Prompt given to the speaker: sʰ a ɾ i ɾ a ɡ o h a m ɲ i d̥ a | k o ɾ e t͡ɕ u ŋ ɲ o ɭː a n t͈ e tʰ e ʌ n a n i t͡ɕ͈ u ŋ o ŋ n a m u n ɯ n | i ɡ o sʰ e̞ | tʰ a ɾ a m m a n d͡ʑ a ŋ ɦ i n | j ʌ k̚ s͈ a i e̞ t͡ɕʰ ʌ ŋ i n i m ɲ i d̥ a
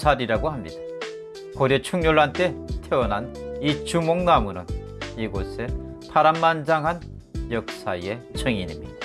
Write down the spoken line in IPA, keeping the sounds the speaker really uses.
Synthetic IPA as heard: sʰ a ɾ i ɾ a ɡ o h a m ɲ i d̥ a | k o ɾ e t͡ɕʰ u ŋ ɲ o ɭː a n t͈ e tʰ e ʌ n a n i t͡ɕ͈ u m o ŋ n a m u n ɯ n | i ɡ o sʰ e̞ | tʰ a ɾ a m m a n d͡ʑ a ŋ ɦ a n | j ʌ k̚ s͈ a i e̞ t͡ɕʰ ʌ ŋ i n i m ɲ i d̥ a